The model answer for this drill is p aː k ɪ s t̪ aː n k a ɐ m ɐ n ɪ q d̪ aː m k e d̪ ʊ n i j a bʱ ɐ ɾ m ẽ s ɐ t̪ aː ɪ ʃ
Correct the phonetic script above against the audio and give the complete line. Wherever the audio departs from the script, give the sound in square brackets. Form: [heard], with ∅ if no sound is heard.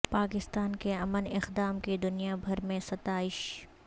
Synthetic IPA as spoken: p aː k ɪ s t̪ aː n k [e] ɐ m [ə] n ɪ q d̪ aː m k e d̪ ʊ n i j a bʱ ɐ ɾ m ẽ s ɐ t̪ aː ɪ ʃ